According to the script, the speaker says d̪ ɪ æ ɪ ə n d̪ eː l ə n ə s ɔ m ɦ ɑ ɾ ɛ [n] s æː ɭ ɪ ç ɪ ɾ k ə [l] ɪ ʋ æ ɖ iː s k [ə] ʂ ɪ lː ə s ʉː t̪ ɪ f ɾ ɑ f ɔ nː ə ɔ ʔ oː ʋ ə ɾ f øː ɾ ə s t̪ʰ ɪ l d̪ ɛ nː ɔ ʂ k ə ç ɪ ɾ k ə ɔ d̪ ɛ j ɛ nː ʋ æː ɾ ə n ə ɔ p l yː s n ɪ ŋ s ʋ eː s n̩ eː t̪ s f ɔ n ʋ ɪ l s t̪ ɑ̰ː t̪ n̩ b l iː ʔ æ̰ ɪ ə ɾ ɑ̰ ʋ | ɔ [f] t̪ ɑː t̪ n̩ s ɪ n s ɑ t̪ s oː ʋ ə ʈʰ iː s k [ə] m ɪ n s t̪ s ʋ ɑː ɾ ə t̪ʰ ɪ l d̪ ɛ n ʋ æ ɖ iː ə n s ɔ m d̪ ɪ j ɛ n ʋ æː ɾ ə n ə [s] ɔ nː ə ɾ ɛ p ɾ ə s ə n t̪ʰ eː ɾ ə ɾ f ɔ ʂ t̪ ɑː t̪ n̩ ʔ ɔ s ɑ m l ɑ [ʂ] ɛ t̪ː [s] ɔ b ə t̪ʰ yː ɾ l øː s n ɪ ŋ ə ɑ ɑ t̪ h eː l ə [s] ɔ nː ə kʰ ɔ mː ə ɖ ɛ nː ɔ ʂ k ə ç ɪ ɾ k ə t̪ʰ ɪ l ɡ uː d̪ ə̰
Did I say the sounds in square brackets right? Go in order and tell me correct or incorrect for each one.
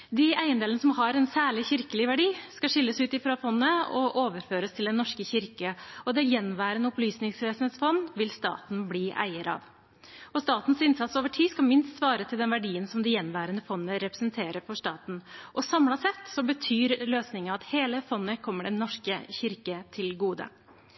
correct, correct, incorrect: ɑ, incorrect: s, incorrect: ɑ, incorrect: f, incorrect: s, correct, incorrect: f

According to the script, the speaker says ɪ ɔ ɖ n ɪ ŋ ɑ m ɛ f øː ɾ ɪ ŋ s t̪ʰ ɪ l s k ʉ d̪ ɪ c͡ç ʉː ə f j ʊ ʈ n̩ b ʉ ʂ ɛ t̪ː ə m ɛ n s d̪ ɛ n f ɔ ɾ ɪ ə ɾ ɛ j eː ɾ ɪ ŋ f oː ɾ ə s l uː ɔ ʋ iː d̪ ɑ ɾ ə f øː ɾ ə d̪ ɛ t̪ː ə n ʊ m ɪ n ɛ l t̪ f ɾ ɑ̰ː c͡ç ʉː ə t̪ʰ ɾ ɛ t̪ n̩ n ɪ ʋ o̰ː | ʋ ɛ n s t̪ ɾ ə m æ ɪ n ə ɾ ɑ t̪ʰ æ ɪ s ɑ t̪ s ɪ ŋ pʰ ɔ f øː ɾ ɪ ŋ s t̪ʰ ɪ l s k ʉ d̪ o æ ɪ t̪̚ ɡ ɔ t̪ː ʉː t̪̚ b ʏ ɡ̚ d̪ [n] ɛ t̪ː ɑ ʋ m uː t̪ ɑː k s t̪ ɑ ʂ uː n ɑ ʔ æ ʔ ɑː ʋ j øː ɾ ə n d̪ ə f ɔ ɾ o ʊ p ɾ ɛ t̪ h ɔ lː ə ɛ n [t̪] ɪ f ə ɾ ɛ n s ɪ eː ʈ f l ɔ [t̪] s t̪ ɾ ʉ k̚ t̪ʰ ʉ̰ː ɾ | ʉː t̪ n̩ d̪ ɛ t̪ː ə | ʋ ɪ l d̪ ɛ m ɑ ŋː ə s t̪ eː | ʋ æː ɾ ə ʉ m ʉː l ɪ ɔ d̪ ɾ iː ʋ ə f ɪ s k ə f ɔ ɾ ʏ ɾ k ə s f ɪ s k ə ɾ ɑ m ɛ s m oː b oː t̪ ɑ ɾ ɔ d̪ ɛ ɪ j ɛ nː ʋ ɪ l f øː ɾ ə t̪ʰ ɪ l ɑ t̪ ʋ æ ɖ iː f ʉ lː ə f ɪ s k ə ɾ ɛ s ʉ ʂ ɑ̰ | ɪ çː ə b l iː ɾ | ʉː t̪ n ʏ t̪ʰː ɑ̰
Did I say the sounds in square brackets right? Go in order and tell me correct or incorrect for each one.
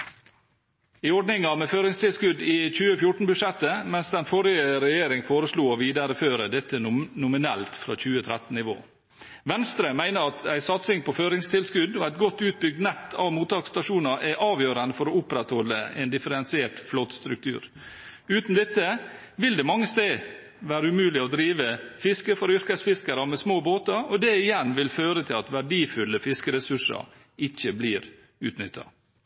correct, incorrect: d̪, correct

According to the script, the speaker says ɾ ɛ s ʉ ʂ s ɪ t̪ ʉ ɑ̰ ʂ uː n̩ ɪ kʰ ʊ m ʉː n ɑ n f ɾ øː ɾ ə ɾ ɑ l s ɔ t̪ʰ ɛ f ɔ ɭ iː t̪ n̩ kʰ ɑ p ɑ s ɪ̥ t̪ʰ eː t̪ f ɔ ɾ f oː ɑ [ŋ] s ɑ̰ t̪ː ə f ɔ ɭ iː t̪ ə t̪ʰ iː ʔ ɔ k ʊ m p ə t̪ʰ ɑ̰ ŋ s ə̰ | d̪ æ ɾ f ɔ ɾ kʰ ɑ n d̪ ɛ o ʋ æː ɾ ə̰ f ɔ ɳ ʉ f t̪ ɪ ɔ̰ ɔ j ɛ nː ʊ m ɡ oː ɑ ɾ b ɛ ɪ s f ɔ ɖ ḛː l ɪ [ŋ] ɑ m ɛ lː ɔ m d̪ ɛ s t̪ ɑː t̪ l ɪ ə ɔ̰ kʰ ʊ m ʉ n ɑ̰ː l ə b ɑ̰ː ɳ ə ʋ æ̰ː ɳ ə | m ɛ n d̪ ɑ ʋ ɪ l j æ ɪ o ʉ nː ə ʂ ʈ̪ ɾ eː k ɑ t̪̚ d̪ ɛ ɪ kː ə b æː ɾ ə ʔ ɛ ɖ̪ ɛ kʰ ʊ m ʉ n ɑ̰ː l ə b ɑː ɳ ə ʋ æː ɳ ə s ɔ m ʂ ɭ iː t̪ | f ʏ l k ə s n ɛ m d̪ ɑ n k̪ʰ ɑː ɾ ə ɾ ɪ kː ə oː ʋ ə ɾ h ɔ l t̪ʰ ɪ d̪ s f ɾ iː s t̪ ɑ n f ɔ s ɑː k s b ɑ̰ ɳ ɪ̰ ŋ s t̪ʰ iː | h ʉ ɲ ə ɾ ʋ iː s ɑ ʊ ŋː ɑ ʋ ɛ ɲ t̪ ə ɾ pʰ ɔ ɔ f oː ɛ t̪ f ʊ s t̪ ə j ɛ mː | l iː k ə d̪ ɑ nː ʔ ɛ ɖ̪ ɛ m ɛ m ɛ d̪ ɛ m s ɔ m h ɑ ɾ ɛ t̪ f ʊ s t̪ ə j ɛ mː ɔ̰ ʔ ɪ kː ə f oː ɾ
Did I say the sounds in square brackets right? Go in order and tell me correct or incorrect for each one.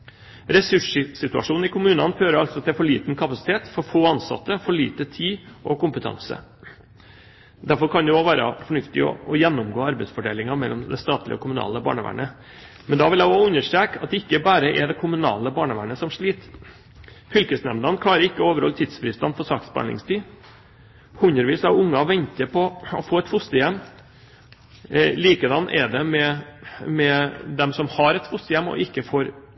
incorrect: n, correct

